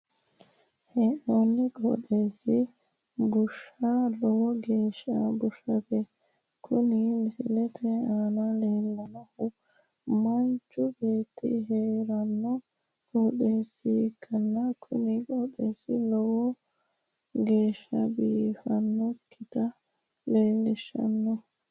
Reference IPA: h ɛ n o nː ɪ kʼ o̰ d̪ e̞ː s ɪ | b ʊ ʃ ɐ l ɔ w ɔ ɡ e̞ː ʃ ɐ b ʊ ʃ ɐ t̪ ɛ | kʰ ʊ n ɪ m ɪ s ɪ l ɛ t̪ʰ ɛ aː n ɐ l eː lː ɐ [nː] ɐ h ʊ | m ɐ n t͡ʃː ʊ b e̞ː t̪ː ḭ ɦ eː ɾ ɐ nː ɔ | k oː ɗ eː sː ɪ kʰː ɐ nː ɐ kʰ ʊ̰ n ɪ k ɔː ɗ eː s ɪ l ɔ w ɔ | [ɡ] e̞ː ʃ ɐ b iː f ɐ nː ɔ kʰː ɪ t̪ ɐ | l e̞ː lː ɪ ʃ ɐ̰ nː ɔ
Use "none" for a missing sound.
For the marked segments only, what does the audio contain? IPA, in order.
n, ɡ

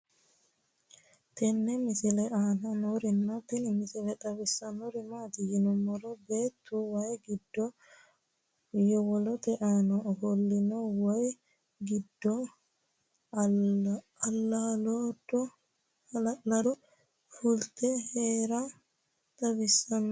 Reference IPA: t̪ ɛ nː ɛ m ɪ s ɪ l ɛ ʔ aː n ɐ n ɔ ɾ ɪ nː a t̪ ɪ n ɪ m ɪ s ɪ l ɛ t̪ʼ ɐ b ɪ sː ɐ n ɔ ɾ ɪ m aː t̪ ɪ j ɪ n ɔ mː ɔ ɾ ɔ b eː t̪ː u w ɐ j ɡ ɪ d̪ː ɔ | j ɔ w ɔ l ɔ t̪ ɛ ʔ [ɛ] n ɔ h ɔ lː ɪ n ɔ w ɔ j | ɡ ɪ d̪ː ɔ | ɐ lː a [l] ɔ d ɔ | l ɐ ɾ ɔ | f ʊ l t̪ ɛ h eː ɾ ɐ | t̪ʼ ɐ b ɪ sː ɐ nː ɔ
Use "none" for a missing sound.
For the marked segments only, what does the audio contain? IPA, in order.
a, l

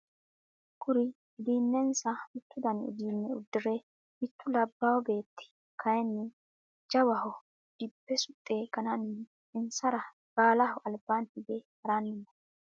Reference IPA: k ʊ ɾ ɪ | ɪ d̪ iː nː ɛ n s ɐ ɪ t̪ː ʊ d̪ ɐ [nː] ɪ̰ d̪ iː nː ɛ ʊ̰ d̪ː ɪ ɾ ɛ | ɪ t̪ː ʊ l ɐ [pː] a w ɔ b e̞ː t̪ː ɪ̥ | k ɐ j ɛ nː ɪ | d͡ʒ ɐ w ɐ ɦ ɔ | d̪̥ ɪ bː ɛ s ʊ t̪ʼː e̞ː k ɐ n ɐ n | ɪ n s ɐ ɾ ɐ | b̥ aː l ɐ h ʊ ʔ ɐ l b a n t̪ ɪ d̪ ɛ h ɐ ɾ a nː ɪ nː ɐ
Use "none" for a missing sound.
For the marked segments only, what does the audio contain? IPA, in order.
n, bː

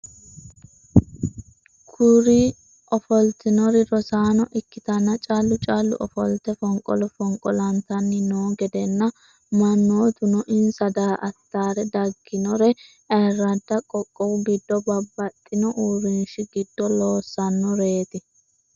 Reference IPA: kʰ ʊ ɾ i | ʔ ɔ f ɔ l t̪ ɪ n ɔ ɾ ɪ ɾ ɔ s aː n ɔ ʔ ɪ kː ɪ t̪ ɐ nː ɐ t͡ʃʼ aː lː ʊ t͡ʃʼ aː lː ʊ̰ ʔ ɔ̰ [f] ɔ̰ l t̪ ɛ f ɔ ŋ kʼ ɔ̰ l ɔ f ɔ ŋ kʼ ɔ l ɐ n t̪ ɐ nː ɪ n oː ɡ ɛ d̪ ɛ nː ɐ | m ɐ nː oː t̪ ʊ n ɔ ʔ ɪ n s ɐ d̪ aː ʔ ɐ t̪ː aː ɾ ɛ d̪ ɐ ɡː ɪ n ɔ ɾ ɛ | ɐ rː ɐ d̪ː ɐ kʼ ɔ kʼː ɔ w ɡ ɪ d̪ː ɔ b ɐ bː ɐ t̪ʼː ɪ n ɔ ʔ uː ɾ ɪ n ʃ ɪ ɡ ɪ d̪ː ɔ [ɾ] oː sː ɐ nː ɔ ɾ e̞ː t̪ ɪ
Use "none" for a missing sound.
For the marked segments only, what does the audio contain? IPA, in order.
f, l

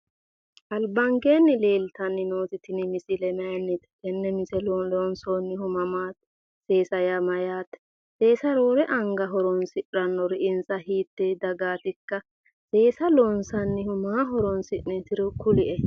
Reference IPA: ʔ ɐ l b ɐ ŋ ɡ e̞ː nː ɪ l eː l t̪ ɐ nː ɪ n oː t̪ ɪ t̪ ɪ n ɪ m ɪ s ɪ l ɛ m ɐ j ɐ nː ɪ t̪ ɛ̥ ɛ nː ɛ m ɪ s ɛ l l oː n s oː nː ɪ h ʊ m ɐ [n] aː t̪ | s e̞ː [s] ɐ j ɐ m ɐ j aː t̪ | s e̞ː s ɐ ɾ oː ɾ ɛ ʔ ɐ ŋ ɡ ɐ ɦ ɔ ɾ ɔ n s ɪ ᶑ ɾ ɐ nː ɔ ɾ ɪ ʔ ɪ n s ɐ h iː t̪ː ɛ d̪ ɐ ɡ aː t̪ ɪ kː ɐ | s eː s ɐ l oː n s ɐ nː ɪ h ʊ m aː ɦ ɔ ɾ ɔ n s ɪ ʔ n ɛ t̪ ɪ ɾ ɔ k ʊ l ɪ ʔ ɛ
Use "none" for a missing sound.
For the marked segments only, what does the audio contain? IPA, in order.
m, s

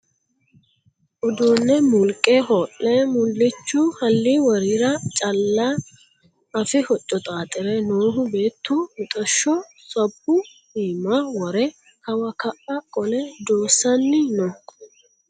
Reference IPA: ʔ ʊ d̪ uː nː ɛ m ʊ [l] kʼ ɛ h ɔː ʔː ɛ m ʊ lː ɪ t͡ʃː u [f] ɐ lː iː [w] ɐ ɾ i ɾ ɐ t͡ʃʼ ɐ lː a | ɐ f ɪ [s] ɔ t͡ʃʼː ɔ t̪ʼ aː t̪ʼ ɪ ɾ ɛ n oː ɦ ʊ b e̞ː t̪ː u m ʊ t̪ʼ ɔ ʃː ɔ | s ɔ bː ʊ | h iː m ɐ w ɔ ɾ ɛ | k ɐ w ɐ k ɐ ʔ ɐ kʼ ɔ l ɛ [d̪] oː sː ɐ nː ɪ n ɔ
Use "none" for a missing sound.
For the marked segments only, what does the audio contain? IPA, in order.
l, h, w, h, d̪

